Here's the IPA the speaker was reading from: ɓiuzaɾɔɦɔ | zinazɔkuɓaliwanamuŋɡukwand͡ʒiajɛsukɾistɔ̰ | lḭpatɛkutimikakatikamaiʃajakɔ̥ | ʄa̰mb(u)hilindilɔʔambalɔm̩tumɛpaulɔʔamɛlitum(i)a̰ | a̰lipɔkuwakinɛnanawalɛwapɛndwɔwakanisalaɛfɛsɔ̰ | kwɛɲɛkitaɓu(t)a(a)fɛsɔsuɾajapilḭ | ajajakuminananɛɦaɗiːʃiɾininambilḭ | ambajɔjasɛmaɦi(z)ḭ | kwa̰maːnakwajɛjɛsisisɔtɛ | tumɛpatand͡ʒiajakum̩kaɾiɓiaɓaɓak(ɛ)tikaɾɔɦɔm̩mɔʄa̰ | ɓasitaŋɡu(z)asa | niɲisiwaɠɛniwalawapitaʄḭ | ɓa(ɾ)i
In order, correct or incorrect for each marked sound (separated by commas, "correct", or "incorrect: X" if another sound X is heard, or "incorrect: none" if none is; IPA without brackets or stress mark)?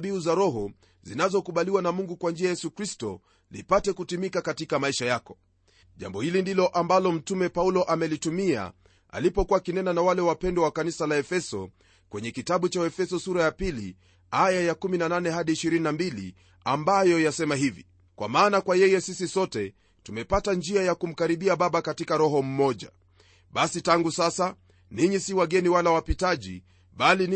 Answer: incorrect: ɔ, correct, incorrect: t͡ʃ, incorrect: ɛ, incorrect: v, incorrect: a, incorrect: s, incorrect: l